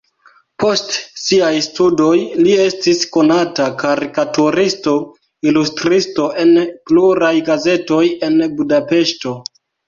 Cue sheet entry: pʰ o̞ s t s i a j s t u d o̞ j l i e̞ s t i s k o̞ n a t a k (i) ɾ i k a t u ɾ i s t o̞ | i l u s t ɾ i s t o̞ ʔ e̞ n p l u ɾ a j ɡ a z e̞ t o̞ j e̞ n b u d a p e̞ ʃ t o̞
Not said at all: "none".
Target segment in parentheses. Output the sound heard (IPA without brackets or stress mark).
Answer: a